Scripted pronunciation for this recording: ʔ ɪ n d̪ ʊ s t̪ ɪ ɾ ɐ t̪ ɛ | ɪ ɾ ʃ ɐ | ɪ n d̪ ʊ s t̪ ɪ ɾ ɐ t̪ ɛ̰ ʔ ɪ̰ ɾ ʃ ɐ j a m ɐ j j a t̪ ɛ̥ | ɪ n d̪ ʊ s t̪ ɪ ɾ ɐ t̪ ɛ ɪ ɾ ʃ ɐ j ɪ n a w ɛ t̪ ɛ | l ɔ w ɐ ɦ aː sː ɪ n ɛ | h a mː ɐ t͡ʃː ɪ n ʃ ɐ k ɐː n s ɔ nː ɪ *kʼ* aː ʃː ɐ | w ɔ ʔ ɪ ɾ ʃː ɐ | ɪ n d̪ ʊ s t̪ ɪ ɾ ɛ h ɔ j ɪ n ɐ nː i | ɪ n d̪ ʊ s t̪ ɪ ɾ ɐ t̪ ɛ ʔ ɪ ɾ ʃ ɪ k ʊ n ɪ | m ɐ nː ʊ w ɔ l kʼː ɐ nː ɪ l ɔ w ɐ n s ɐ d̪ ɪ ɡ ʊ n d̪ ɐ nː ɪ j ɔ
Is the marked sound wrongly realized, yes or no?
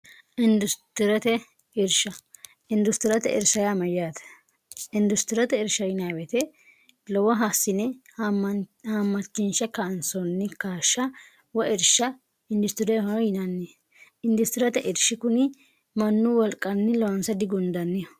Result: yes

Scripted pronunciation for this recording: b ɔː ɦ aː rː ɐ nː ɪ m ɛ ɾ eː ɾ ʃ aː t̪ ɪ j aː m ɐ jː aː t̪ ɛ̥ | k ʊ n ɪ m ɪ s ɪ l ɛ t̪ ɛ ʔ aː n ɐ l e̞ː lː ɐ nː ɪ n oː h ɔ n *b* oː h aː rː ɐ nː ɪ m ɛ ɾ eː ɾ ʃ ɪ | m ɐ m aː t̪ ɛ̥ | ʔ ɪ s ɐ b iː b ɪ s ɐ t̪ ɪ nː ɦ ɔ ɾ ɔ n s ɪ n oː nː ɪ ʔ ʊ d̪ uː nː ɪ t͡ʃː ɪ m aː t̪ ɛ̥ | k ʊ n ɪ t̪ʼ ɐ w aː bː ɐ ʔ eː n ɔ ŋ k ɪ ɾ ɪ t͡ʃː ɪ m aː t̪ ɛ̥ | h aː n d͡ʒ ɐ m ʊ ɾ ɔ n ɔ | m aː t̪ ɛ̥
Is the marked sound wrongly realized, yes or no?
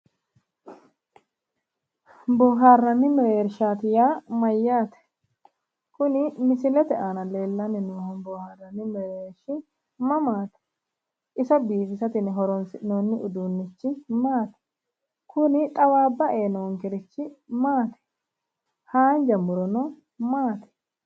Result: no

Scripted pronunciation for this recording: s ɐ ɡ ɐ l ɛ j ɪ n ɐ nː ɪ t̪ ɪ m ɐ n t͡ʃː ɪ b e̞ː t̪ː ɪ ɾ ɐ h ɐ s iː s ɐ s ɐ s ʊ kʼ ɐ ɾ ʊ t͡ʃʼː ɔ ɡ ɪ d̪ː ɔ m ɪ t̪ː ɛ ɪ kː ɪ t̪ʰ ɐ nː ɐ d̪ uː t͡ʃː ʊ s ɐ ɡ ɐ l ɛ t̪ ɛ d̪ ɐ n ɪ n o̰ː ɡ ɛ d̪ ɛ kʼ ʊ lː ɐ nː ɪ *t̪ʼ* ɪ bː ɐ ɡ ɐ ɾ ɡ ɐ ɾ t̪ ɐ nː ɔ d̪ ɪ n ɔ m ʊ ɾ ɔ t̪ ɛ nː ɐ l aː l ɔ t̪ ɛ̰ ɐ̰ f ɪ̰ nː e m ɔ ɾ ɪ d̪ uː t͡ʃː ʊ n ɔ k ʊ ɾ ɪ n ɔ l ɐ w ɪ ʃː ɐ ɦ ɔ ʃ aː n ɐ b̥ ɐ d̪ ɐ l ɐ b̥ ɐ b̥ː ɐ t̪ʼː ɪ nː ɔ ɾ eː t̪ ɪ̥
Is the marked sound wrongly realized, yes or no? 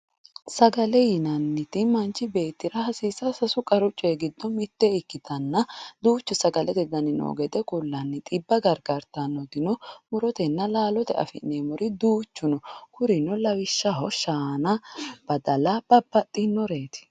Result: no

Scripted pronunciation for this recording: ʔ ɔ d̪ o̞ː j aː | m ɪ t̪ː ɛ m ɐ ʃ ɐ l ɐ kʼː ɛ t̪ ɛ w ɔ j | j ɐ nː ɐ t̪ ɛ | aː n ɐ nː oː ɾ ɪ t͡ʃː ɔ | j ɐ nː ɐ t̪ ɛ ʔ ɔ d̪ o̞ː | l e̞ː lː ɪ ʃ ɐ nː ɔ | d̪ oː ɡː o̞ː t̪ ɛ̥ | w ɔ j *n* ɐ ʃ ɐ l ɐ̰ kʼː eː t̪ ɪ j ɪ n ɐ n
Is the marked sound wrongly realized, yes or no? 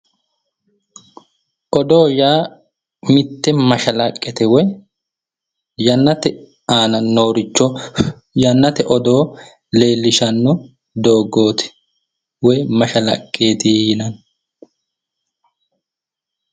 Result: yes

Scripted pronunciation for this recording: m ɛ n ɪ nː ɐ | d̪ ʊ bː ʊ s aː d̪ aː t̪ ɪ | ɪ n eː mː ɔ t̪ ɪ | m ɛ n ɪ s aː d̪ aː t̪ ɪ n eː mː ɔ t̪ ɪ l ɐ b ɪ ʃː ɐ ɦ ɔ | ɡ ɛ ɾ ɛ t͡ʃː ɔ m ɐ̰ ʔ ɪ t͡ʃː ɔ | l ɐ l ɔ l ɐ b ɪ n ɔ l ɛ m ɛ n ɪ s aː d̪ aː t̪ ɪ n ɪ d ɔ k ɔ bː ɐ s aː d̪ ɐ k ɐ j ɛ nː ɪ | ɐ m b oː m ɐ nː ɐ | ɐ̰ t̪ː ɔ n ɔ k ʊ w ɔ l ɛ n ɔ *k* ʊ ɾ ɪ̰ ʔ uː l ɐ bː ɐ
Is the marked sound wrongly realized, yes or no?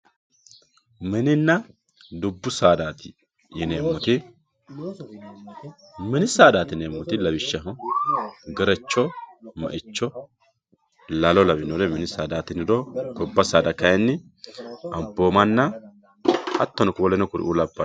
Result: no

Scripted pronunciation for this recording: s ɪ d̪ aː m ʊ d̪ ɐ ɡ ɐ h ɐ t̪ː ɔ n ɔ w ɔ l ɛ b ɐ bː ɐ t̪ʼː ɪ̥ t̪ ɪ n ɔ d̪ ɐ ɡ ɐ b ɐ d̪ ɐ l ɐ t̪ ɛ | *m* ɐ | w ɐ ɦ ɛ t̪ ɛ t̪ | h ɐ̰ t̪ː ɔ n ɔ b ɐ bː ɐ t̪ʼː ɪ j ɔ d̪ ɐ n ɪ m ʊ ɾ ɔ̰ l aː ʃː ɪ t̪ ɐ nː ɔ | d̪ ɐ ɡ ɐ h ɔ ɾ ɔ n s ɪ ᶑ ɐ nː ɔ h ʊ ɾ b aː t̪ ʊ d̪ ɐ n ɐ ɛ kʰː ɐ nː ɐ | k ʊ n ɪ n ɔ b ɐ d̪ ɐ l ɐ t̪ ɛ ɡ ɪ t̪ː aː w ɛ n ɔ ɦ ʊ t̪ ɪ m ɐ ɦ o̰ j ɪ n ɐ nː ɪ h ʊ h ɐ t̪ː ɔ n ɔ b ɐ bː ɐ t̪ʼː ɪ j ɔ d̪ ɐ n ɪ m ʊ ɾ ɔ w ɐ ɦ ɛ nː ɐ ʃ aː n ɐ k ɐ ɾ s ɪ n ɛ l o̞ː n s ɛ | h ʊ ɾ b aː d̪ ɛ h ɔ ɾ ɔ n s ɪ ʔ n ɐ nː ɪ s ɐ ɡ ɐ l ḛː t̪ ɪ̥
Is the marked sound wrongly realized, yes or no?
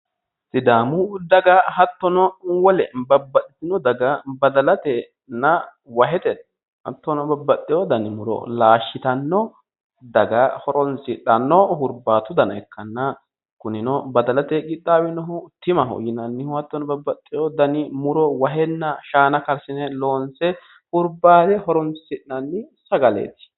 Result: yes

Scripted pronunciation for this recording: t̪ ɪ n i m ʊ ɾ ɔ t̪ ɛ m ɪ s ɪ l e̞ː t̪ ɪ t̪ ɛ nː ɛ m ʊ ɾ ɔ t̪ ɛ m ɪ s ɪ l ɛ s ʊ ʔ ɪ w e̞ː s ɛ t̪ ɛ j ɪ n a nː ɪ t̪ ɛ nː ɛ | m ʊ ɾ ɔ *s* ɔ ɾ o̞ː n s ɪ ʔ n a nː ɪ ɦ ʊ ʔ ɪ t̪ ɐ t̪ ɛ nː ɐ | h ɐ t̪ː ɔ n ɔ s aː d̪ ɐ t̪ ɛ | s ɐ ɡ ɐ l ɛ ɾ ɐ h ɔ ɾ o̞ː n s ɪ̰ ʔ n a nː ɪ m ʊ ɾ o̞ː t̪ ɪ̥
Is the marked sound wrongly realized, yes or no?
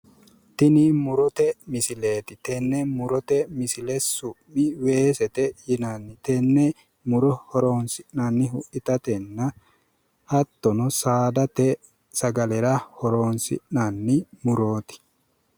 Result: yes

